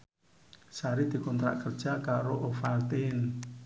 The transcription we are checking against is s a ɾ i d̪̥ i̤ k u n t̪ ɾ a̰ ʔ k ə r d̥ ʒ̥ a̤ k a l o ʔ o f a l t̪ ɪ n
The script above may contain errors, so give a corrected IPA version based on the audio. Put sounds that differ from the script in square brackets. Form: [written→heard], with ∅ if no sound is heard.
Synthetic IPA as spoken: s a ɾ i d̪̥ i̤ k [u→ɔ] n t̪ ɾ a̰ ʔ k ə r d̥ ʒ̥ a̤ k a [l→ɾ] o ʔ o f a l t̪ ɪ n